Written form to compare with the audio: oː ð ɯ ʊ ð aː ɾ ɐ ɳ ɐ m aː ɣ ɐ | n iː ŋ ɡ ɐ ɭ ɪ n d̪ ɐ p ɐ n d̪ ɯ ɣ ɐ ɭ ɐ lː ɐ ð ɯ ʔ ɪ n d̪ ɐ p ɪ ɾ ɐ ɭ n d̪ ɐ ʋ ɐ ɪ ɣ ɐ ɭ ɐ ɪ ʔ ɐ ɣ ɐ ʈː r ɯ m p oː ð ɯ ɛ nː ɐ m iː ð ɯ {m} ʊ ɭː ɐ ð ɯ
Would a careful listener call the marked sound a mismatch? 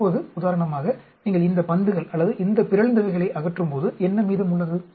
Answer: no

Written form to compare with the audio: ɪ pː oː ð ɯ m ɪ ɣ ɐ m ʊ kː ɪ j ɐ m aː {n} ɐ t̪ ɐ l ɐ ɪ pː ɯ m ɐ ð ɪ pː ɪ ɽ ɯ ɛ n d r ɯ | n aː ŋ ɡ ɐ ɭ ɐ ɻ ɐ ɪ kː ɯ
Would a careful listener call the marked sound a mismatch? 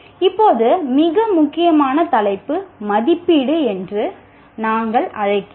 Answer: no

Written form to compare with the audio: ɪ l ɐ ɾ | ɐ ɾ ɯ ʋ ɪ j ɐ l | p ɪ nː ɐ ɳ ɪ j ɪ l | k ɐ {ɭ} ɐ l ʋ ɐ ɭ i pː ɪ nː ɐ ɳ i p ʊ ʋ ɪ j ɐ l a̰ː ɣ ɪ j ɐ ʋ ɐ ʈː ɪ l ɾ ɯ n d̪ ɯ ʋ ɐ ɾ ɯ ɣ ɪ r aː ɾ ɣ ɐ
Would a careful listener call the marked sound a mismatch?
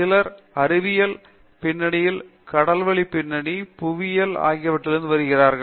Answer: yes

